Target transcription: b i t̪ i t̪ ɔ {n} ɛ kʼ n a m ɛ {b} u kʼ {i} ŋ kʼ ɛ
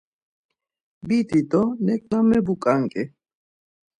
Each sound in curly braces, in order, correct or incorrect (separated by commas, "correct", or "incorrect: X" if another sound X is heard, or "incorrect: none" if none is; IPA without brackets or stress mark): correct, correct, incorrect: a